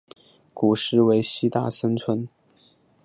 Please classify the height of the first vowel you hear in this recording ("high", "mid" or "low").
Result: high